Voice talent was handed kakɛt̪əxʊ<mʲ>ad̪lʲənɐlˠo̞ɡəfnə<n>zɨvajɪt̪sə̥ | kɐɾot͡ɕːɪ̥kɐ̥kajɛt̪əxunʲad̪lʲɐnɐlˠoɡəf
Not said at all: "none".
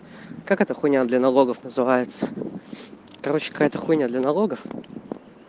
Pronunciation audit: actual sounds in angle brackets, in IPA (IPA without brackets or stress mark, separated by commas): nʲ, none